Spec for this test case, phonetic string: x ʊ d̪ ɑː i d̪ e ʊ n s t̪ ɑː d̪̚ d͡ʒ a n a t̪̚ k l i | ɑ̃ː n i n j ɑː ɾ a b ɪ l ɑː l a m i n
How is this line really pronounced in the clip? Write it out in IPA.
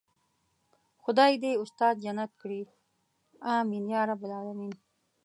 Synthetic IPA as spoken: x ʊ d̪ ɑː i d̪ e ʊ s t̪ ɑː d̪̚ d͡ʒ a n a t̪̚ k ɽ i | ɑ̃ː m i n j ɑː ɾ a b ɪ l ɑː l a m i n